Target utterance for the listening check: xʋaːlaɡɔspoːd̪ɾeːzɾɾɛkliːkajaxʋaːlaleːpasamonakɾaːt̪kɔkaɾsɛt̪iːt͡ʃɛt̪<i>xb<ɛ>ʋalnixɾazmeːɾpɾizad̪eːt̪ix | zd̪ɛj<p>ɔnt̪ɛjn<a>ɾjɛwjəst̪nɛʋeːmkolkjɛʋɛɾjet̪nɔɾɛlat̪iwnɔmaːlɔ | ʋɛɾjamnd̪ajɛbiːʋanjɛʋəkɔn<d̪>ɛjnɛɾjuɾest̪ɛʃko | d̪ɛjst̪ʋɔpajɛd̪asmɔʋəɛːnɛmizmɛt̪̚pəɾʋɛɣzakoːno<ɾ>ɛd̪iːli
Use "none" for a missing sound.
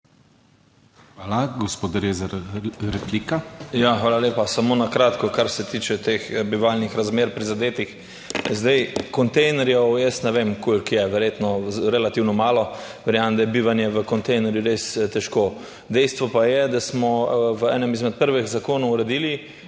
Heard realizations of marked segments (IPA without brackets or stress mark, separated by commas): e, i, k, ɛ, t̪, ɾ